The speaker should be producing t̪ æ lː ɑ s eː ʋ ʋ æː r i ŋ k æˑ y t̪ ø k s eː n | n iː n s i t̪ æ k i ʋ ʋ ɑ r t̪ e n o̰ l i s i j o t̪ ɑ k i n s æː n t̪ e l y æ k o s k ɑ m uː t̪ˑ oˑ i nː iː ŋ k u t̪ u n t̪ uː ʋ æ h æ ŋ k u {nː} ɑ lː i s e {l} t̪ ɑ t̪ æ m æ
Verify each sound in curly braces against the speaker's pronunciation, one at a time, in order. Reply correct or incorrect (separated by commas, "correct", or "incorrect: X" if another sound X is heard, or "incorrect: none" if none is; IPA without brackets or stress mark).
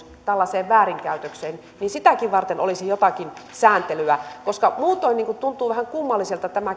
incorrect: mː, correct